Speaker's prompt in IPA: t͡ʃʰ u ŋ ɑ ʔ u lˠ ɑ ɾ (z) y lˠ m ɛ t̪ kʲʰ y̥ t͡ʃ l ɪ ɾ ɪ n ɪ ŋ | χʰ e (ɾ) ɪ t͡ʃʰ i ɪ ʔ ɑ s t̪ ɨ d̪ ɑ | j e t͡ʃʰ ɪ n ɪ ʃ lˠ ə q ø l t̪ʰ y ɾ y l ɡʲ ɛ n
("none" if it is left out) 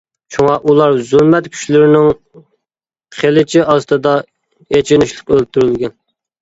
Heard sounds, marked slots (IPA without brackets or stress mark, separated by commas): z, l